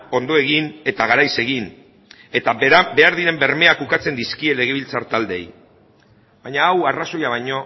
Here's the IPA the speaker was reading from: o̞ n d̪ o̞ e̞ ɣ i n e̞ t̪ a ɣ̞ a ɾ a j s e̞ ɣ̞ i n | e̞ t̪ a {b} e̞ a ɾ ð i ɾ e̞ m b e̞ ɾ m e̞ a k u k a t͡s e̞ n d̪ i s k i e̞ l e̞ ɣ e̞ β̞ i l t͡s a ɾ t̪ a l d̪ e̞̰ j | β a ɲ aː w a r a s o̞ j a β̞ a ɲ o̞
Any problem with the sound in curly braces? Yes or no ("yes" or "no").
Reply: no